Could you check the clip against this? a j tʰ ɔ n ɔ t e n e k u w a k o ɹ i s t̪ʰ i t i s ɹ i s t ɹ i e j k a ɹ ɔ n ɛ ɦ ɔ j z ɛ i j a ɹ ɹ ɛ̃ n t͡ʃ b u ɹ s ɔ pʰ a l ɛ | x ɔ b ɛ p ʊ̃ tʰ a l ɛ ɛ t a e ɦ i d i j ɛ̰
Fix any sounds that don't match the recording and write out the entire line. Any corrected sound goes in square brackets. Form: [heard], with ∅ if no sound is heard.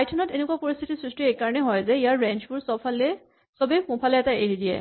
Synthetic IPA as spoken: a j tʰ ɔ n ɔ t e n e k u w a [p] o ɹ i s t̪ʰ i t i s ɹ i s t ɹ i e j k a ɹ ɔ n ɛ ɦ ɔ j z ɛ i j a ɹ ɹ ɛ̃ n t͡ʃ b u ɹ s ɔ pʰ a l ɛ | [s] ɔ b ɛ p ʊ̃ [pʰ] a l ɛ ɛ t a e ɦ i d i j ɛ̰

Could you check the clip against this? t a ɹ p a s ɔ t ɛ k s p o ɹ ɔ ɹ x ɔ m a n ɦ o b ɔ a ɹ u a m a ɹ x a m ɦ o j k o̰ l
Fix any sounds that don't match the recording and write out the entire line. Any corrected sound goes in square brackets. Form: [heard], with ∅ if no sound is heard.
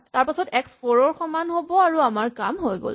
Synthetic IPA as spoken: t a ɹ p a s ɔ t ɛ k s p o ɹ ɔ ɹ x ɔ m a n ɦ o b ɔ a ɹ u a m a ɹ [k] a m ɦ o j [ɡ] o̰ l

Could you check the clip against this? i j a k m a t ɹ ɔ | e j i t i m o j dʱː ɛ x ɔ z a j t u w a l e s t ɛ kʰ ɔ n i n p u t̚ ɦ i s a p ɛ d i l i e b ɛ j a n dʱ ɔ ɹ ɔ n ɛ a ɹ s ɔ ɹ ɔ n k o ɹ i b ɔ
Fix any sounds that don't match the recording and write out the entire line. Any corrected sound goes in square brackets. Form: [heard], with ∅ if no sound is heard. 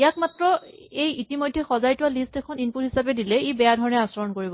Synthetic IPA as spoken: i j a k m a t ɹ ɔ | e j i t i m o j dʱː ɛ x ɔ z a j t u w a l [i] s t ɛ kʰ ɔ n i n p u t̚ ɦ i s a p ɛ d i l [ɛ] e b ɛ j a [∅] dʱ ɔ ɹ ɔ n ɛ a [∅] s ɔ ɹ ɔ n k o ɹ i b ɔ

